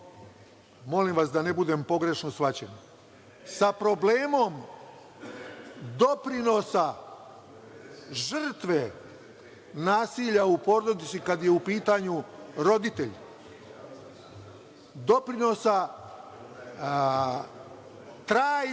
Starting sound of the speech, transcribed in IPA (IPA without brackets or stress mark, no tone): m